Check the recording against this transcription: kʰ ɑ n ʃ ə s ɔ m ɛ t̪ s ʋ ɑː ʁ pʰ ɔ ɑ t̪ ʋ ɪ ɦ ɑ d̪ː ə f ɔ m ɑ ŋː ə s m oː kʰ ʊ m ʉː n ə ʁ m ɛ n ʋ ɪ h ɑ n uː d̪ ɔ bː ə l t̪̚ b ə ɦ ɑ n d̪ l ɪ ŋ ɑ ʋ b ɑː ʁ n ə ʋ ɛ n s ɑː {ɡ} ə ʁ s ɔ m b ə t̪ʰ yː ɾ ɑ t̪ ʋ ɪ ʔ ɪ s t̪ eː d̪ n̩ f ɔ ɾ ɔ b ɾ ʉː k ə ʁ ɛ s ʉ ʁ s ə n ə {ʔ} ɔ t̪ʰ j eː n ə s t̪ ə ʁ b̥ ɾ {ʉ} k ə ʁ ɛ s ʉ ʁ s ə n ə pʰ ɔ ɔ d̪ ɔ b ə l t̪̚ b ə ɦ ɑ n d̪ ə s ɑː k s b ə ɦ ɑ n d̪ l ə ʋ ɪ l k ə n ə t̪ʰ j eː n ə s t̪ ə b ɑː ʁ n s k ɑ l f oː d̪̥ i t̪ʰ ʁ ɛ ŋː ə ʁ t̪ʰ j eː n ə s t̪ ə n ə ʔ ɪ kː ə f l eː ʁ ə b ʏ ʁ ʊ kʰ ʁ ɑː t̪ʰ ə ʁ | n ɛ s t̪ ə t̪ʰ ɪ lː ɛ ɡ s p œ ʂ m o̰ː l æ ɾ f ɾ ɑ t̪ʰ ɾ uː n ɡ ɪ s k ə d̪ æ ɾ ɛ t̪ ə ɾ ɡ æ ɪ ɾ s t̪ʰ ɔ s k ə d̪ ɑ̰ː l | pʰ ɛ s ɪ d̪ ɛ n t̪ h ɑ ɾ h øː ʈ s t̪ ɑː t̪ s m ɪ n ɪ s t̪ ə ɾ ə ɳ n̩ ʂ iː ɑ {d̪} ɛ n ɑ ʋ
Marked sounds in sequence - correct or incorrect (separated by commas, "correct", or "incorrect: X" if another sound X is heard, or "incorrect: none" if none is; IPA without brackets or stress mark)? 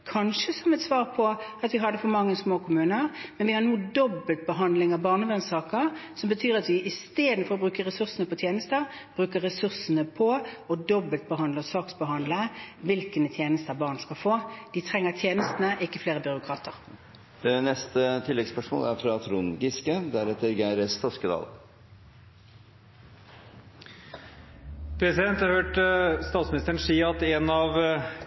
incorrect: k, incorrect: p, incorrect: ʉː, incorrect: t̪